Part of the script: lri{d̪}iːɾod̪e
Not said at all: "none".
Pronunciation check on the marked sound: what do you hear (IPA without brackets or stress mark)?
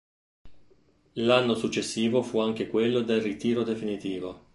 t̪